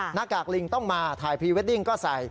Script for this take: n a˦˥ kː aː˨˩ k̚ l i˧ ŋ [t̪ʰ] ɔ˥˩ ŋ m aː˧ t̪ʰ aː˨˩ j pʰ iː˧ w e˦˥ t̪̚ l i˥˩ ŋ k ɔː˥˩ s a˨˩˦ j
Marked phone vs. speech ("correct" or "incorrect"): incorrect